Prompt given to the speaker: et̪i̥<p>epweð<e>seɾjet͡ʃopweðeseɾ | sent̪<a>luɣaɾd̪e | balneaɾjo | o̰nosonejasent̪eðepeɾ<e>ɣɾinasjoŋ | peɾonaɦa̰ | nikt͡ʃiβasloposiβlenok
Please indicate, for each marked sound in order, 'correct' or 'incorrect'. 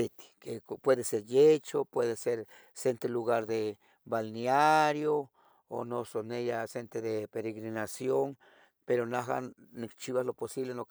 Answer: incorrect, correct, incorrect, correct

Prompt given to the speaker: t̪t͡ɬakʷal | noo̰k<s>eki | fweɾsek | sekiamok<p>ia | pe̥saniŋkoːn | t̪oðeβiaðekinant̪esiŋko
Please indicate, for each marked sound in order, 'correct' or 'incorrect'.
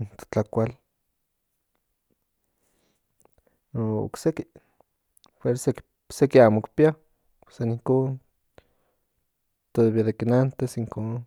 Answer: correct, correct

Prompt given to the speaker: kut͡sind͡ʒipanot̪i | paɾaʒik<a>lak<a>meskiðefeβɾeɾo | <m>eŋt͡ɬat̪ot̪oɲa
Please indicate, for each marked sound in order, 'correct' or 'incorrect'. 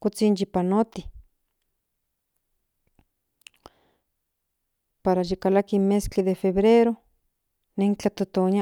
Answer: correct, incorrect, incorrect

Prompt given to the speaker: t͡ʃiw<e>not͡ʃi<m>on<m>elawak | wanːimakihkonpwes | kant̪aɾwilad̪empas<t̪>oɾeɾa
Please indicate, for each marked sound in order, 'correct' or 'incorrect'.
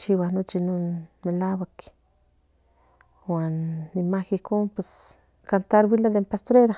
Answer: incorrect, incorrect, correct, correct

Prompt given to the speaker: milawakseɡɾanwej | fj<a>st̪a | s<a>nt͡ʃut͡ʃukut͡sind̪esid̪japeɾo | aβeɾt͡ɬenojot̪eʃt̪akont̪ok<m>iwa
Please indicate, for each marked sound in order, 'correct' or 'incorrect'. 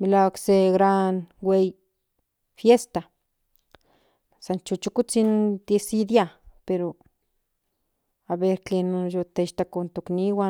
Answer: incorrect, correct, incorrect

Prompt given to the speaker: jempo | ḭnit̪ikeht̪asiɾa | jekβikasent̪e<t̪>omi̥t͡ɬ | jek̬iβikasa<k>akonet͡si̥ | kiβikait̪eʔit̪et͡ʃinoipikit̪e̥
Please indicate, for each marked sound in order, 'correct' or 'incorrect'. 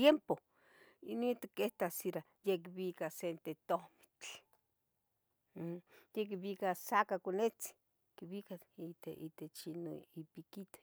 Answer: correct, correct

